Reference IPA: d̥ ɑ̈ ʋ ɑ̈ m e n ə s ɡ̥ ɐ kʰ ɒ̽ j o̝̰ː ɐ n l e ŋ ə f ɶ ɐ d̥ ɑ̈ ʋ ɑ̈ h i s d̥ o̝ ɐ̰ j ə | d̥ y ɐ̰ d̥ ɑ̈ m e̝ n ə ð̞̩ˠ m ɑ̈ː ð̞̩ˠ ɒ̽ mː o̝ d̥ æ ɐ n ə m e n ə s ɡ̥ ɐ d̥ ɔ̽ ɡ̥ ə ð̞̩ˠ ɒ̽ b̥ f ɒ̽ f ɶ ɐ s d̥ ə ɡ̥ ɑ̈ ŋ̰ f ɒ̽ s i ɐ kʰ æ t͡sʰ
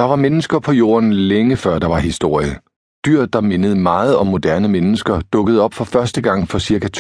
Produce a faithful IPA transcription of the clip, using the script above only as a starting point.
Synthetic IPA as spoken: d̥ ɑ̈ ʋ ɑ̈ m e n ə s ɡ̥ ɐ pʰ ɒ̽ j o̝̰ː ɐ n l e ŋ ə f ɶ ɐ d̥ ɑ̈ ʋ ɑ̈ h i s d̥ o̝ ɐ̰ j ə | d̥ y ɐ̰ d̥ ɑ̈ m e̝ n ə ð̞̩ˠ m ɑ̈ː ð̞̩ˠ ɒ̽ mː o̝ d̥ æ ɐ n ə m e n ə s ɡ̥ ɐ d̥ ɔ̽ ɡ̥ ə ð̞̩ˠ ɒ̽ b̥ f ɒ̽ f ɶ ɐ s d̥ ə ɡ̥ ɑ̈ ŋ̰ f ɒ̽ s i ɐ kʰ æ t͡sʰ